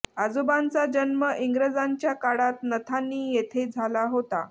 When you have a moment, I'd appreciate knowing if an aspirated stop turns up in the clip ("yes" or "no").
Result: yes